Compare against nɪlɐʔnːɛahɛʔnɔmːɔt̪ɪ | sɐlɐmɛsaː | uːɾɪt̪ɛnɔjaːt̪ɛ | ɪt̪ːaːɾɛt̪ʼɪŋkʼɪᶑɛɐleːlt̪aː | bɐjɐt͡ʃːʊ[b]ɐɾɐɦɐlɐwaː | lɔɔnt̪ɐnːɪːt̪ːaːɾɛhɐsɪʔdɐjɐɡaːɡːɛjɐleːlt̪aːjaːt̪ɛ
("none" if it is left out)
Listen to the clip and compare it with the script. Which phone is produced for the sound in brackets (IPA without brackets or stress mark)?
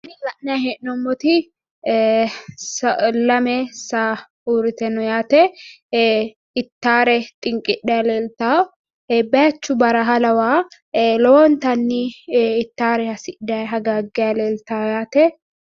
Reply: b